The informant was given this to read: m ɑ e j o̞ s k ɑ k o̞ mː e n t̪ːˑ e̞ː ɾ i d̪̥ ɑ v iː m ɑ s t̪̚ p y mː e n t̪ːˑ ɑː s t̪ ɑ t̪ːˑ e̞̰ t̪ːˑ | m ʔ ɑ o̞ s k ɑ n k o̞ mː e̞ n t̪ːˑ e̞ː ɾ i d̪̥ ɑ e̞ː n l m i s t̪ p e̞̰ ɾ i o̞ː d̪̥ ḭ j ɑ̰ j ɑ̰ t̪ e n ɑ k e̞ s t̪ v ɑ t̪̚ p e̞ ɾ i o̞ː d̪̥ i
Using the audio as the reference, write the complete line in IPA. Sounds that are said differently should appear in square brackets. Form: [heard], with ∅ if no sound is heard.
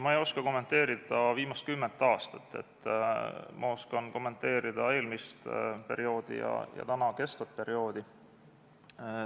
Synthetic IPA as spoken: m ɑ e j o̞ s k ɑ k o̞ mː e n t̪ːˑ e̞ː ɾ i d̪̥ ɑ v iː m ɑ s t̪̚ [k] y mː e n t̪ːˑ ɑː s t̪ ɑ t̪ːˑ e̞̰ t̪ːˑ | m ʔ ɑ o̞ s k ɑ n k o̞ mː e̞ n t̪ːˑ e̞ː ɾ i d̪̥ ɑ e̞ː [∅] l m i s t̪ p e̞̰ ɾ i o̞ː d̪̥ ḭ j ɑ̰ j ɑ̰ t̪ [æ] n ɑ k e̞ s t̪ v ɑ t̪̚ p e̞ ɾ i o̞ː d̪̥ i

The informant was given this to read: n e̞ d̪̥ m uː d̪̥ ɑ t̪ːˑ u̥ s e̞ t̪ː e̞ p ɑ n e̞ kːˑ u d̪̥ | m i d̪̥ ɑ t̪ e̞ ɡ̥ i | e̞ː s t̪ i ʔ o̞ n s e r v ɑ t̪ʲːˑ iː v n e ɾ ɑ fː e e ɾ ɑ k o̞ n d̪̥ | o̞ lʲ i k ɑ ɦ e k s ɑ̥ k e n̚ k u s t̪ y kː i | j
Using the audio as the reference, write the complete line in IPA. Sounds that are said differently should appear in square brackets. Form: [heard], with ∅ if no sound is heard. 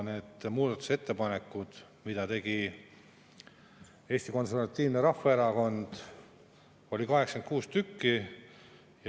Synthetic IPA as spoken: n e̞ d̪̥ m uː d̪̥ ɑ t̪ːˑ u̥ s e̞ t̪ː e̞ p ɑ n e̞ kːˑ u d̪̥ | m i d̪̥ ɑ t̪ e̞ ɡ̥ i | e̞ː s t̪ i [k] o̞ n s e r v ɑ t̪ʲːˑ iː v n e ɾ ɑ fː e e ɾ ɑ k o̞ n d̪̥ | o̞ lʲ i k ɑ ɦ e k s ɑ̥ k e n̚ k [uː] s t̪ y kː i | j

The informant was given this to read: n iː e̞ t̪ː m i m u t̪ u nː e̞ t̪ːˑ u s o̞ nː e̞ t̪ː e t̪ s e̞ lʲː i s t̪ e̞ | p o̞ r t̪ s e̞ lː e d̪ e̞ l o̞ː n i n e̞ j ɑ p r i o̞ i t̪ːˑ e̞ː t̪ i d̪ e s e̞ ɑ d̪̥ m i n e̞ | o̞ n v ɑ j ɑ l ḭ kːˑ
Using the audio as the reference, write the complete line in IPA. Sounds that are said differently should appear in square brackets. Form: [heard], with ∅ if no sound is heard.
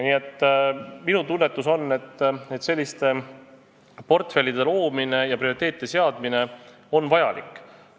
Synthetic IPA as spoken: n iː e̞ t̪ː m i [n] u t̪ u nː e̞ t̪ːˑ u s o̞ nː e̞ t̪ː e t̪ s e̞ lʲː i s t̪ e̞ | p o̞ r t̪ [f] e̞ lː [i] d̪ e̞ l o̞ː [m] i n e̞ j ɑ p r i o̞ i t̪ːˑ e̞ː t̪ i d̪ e s e̞ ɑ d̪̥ m i n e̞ | o̞ n v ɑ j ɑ l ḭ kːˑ

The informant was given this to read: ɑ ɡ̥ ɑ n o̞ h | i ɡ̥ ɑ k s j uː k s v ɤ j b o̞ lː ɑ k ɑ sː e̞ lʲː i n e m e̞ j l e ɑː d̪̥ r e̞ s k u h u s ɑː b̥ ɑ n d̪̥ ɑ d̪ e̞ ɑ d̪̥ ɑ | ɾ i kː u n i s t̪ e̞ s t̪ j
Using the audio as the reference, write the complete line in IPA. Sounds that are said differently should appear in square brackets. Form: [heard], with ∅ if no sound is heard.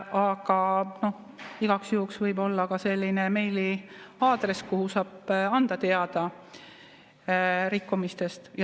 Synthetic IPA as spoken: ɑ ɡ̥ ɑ n o̞ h | i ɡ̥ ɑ k s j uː k s v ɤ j b o̞ lː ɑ k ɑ [s] e̞ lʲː i n e m e̞ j l [i] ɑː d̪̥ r e̞ s k u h u s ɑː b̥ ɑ n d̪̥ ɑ [t̪] e̞ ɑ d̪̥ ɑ | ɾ i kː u [m] i s t̪ e̞ s t̪ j

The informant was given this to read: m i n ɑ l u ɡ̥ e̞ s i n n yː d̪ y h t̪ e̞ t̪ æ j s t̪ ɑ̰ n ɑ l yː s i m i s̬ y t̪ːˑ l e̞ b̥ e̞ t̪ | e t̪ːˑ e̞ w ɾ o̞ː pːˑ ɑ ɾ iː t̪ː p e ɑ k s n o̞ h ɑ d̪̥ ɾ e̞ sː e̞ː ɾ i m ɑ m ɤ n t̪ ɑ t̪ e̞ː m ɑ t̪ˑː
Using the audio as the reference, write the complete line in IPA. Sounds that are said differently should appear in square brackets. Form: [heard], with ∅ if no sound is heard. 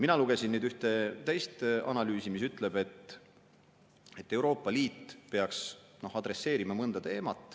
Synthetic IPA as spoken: m i n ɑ l u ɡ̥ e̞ s i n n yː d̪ y h t̪ e̞ t̪ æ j s t̪ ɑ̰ n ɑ l yː s i m i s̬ y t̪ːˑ l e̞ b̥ e̞ t̪ | e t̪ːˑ e̞ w ɾ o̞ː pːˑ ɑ [l] iː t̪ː p e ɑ k s n o̞ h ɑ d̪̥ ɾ e̞ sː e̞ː ɾ i m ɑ m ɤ n [d̪] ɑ t̪ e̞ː m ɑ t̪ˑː

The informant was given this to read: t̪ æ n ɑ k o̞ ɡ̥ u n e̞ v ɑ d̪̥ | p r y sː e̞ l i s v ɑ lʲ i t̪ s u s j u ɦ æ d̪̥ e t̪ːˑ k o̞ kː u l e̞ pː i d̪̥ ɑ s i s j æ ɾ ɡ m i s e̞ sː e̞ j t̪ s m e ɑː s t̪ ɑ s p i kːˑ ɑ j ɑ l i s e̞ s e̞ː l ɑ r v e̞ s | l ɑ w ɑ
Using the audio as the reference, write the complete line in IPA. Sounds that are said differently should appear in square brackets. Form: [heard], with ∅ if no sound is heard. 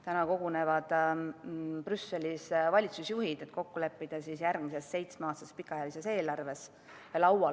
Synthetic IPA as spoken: t̪ æ n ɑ k o̞ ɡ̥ u n e̞ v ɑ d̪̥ | p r y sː e̞ l i s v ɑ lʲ i t̪ s u s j u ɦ [i] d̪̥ e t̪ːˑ k o̞ kː u l e̞ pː i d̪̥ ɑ s i s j æ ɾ ɡ m i s e̞ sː e̞ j t̪ s m e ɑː s t̪ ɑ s p i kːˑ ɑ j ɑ l i s e̞ s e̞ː l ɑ r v e̞ s | l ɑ w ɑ

